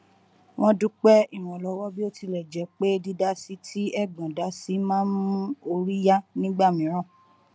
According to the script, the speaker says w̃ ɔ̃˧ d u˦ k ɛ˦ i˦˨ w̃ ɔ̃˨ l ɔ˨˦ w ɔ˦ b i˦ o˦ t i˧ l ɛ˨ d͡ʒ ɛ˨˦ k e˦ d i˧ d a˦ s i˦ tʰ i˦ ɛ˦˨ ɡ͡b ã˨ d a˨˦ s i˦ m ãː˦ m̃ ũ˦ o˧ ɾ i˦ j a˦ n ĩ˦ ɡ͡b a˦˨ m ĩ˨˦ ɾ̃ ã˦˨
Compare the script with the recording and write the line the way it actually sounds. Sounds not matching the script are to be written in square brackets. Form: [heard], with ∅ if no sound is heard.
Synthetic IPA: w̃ ɔ̃˧ d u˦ [k͡p] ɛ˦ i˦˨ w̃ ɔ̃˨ l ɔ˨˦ w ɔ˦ b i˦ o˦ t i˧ l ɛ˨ d͡ʒ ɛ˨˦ [k͡p] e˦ d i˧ d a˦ s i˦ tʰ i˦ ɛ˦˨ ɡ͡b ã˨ d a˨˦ s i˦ m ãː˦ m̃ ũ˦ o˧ ɾ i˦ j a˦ n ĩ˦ ɡ͡b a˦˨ m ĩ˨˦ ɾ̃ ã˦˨

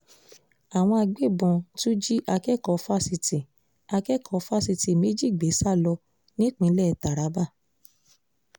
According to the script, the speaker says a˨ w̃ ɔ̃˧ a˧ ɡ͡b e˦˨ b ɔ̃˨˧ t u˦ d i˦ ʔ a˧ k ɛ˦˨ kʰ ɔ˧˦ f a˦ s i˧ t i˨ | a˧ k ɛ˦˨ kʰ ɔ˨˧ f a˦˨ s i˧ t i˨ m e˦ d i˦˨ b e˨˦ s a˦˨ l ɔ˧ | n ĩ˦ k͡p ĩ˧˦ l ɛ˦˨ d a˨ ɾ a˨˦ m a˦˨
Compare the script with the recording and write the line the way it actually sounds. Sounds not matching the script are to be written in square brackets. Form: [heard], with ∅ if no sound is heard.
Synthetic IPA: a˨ w̃ ɔ̃˧ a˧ ɡ͡b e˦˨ b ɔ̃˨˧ t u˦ [d͡ʒ] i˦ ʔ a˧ k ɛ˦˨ [k] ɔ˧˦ f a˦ s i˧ t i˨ | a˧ k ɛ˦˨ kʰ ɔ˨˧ f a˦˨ s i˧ t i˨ m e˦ [d͡ʒ] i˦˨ [ɡ͡b] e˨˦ s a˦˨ l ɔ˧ | n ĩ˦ k͡p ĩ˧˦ l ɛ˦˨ [t] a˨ ɾ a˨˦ [b] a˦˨

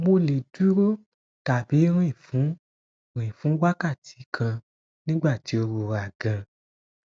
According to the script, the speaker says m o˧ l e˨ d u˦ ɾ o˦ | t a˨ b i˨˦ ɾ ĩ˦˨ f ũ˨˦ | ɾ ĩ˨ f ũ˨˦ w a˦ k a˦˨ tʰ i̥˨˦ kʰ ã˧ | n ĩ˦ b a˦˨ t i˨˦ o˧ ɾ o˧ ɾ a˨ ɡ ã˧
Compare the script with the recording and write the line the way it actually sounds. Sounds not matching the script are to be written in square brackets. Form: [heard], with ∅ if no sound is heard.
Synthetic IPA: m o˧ l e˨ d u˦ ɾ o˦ | t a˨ b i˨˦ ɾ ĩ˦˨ f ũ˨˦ | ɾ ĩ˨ f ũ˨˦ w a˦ k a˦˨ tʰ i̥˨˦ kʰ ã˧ | n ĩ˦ [ɡ͡b] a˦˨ t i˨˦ o˧ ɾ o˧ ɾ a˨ ɡ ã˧

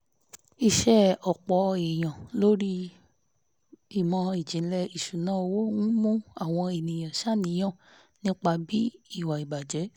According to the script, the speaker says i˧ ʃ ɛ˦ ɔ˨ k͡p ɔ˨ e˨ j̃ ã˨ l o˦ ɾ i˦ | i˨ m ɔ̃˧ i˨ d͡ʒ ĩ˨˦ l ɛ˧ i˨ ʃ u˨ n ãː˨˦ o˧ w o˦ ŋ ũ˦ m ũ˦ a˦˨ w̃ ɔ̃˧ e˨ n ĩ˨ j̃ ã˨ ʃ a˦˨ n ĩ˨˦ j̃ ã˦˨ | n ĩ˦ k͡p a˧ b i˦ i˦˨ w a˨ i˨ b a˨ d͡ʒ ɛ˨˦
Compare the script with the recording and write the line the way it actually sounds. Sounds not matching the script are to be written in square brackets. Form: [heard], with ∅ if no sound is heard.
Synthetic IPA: i˧ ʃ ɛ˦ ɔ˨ k͡p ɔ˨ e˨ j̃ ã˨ l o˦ ɾ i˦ | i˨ m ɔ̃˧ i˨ d͡ʒ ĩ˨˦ l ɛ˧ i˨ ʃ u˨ n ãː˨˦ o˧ w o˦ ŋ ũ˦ m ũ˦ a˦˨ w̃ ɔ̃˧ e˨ n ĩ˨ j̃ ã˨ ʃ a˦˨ n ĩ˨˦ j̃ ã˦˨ | n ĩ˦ k͡p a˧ b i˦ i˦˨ w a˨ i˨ b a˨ d͡ʒ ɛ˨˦

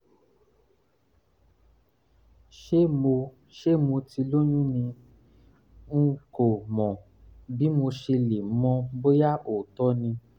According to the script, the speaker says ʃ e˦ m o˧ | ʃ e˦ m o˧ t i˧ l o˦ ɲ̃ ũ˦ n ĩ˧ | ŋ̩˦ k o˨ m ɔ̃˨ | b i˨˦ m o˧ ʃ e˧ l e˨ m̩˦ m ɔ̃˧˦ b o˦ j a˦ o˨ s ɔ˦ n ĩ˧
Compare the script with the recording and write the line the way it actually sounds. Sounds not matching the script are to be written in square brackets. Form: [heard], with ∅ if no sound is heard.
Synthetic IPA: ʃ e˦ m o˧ | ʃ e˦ m o˧ t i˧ l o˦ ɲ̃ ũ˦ n ĩ˧ | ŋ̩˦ k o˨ m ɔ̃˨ | b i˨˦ m o˧ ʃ e˧ l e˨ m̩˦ m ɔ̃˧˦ b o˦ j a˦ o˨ [t] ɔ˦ n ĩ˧

